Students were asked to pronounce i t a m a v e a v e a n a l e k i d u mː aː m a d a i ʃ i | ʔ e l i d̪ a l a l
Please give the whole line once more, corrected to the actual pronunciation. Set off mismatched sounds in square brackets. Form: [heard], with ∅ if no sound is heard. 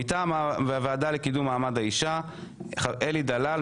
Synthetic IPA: i t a m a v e a v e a [d] a l e k i d u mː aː m a d a i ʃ [a] | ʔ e l i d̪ a l a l